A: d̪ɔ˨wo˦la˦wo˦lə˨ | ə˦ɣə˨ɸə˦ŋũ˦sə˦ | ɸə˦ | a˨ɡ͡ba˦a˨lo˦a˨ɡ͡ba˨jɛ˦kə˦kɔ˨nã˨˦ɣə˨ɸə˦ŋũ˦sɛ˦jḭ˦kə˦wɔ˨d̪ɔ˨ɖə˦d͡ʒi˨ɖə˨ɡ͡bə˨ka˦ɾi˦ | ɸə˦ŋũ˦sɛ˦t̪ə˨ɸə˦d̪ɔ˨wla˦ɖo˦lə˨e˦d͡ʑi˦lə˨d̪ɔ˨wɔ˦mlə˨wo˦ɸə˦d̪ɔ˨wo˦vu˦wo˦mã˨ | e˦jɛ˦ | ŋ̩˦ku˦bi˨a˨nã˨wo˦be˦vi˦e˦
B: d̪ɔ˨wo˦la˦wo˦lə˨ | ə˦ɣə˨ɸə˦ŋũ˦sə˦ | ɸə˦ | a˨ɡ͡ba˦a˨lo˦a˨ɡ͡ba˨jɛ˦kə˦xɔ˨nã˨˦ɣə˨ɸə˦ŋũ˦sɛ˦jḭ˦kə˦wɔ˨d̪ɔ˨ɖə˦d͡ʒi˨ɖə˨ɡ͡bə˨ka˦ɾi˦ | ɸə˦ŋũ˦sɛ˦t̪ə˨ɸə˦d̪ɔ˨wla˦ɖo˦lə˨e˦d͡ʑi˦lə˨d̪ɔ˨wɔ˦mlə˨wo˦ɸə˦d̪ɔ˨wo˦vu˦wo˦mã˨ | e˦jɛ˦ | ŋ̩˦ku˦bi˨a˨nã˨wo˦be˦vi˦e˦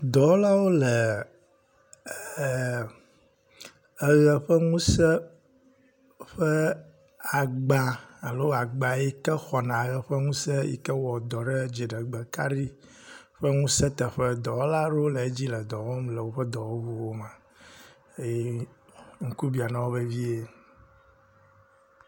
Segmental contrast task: B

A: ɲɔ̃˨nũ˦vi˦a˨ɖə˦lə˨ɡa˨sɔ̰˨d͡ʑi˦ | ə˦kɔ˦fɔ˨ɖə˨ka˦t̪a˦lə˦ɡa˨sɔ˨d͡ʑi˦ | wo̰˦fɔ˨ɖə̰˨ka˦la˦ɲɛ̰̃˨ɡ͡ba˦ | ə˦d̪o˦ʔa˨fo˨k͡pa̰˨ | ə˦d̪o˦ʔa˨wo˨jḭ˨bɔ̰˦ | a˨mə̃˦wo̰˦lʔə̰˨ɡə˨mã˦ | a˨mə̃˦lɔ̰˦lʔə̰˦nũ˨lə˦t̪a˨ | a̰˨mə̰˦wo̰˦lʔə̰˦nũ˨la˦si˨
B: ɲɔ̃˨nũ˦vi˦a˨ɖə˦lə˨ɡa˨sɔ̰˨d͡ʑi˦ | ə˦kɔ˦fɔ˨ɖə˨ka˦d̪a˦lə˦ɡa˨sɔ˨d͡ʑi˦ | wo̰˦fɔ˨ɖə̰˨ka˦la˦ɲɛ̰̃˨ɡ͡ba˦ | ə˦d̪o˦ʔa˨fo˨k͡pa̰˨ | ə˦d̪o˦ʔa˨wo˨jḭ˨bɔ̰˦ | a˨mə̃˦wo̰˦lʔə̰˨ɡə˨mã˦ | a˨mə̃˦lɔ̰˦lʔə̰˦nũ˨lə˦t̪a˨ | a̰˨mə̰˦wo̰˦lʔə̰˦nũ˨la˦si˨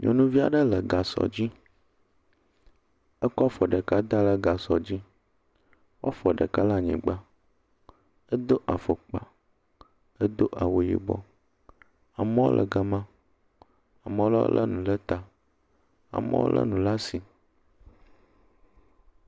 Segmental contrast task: B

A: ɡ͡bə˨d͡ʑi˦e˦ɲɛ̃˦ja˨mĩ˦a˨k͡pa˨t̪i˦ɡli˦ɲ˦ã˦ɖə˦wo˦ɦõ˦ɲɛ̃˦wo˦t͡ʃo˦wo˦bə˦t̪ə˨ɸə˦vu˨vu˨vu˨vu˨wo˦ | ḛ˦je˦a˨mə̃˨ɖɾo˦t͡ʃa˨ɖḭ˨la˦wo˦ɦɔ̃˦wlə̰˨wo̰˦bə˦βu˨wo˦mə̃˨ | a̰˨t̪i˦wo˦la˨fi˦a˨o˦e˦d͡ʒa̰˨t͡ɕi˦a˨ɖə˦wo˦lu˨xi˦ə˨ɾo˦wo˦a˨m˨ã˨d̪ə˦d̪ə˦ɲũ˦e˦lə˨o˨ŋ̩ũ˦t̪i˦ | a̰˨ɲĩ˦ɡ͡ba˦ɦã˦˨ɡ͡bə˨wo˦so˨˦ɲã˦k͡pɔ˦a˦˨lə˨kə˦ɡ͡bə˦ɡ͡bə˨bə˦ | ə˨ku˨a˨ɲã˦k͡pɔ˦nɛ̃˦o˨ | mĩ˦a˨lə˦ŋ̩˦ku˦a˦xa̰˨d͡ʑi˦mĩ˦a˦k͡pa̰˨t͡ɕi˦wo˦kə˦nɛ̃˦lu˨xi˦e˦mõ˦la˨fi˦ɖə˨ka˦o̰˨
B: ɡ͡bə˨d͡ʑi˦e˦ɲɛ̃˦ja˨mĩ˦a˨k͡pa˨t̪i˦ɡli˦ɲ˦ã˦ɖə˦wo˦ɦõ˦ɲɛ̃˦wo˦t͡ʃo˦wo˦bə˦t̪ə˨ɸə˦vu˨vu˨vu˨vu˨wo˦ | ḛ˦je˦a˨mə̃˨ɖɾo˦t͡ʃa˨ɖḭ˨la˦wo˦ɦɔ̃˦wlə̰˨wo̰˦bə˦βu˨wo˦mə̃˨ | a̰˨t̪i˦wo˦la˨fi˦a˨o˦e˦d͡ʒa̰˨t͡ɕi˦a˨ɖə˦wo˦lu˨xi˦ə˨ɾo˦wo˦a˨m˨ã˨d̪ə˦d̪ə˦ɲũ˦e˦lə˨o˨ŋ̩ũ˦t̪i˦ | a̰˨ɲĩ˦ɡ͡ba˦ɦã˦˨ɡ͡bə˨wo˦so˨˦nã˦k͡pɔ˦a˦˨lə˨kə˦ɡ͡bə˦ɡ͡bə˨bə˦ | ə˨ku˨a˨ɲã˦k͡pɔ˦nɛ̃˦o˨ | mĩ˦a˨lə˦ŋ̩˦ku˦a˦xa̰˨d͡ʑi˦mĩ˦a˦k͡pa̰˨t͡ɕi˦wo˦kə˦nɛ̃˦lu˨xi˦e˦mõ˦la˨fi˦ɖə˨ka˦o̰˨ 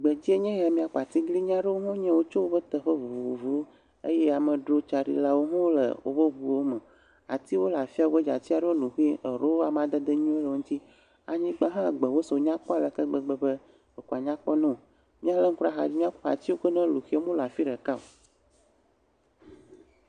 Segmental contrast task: A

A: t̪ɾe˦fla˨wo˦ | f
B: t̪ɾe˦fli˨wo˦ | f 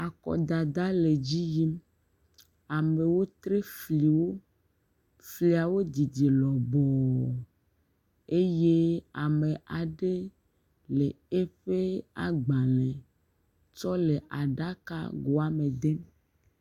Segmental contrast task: B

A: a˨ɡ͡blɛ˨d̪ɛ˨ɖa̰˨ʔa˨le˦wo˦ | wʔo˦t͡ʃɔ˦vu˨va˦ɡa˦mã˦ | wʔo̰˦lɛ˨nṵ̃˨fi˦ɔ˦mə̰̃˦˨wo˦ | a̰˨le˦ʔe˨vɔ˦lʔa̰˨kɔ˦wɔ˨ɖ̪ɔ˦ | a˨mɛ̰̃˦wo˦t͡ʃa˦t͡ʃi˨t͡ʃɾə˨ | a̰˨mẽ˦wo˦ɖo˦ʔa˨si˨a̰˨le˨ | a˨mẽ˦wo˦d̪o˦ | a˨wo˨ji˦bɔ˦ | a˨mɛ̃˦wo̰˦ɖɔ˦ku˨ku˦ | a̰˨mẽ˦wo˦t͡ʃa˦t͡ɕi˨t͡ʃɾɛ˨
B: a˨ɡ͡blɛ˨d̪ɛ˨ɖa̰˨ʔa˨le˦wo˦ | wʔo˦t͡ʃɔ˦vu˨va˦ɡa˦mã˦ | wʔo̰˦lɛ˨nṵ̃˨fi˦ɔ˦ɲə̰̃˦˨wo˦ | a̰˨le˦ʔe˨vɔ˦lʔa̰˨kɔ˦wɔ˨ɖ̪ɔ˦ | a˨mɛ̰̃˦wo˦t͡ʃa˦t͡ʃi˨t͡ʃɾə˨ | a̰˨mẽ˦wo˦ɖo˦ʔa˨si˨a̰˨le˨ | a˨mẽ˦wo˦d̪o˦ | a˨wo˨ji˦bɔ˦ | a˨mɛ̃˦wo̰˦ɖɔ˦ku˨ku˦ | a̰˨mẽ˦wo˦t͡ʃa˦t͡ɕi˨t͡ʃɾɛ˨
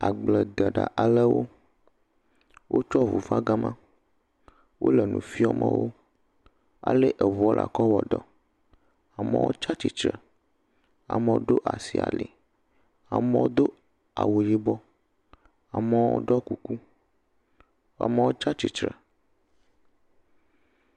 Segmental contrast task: A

